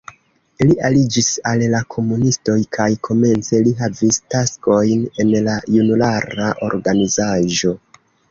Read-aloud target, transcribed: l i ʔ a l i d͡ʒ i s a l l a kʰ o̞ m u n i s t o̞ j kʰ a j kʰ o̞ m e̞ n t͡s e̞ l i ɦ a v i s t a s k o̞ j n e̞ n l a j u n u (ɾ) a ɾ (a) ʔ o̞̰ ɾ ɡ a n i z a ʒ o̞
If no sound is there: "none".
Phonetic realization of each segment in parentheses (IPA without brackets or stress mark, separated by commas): l, a